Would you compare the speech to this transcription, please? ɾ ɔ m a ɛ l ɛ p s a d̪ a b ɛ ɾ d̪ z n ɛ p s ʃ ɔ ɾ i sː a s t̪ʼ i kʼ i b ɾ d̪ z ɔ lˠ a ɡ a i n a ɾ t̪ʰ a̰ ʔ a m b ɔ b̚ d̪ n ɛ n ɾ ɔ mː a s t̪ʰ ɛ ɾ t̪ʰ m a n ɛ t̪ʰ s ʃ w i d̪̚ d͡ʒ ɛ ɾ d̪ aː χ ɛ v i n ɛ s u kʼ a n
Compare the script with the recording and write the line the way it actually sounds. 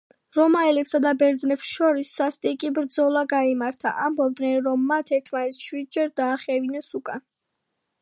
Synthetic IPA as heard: ɾ ɔ m a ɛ l ɛ p s a d̪ a b ɛ ɾ d̪ z n ɛ p s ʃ ɔ ɾ i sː a s t̪ʼ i kʼ i b ɾ d̪ z ɔ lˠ a ɡ a i m a ɾ t̪ʰ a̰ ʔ a m b ɔ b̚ d̪ n ɛ n ɾ ɔ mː a t̪ʰ ɛ ɾ t̪ʰ m a n ɛ t̪ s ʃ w i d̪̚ d͡ʒ ɛ ɾ d̪ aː χ ɛ v i n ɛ s u kʼ a n

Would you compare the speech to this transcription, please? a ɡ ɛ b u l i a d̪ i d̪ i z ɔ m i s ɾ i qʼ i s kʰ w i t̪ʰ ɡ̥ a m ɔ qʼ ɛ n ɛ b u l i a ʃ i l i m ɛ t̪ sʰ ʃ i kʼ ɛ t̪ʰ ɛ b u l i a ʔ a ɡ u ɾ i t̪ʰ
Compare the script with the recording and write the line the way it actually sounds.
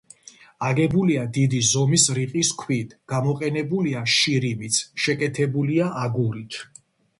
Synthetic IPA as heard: a ɡ ɛ b u l i a d̪ i d̪ i z ɔ m i s ɾ i qʼ i s kʰ w i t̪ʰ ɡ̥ a m ɔ qʼ ɛ n ɛ b u l i a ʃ i ɾ i m i t̪ sʰ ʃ ɛ kʼ ɛ t̪ʰ ɛ b u l i a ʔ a ɡ u ɾ i t̪ʰ

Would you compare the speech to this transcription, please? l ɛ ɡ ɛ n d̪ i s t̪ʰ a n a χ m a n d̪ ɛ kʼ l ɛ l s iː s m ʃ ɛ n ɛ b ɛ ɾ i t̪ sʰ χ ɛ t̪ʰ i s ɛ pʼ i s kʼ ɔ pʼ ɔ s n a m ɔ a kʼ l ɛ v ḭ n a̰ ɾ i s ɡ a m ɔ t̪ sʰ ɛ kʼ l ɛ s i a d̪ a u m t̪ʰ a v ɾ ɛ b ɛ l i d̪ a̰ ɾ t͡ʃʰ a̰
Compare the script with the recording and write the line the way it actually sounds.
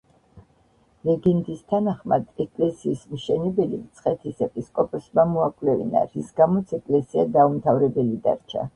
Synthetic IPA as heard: l ɛ ɡ ɛ n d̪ i s t̪ʰ a n a χ m a d̪ ɛ kʼ l ɛ s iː s m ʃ ɛ n ɛ b ɛ l i t̪ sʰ χ ɛ t̪ʰ i s ɛ pʼ i s kʼ ɔ pʼ ɔ s m a m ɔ a kʼ l ɛ v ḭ n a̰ ɾ i s ɡ a m ɔ t̪ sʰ ɛ kʼ l ɛ s i a d̪ a u m t̪ʰ a v ɾ ɛ b ɛ l i d̪ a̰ ɾ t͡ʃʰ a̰

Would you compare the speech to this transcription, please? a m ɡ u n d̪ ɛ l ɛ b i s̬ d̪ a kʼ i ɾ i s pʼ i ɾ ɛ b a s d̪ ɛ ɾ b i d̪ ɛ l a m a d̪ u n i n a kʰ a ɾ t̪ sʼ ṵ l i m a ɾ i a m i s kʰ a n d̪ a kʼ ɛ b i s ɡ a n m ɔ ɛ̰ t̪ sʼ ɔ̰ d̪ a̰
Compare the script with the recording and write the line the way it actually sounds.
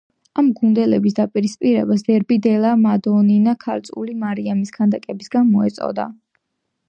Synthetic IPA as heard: a m ɡ u n d̪ ɛ l ɛ b i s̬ d̪ a pʼ i ɾ i s pʼ i ɾ ɛ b a s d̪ ɛ ɾ b i d̪ ɛ l a m a d̪ ɔ n i n a kʰ a ɾ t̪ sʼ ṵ l i m a ɾ i a m i s kʰ a n d̪ a kʼ ɛ b i s ɡ a n m ɔ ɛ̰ t̪ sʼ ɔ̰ d̪ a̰

